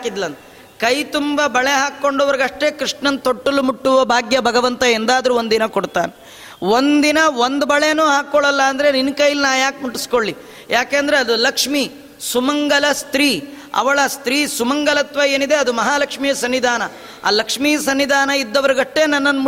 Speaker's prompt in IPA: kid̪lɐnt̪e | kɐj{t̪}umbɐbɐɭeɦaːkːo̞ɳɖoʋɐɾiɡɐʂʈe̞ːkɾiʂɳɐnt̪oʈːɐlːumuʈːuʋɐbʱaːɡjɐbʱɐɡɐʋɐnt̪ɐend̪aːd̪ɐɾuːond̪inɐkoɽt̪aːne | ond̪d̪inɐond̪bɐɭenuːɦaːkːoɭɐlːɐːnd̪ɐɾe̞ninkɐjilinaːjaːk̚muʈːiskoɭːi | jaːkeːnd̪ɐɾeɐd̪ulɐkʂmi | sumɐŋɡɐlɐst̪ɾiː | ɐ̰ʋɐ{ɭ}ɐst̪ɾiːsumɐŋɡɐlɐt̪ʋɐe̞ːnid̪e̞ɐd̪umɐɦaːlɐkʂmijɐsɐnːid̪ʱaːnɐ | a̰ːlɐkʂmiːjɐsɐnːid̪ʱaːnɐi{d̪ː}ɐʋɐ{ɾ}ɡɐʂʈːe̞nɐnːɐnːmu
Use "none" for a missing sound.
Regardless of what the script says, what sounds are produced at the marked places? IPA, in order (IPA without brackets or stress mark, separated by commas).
t̪, ɭ, d̪ː, ɾ